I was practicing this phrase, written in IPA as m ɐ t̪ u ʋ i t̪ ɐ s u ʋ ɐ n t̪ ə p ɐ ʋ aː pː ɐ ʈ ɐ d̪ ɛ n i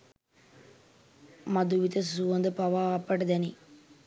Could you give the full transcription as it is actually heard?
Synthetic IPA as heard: m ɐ d̪ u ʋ i t̪ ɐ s u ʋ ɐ n d̪ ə p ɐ ʋ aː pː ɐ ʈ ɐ d̪ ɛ n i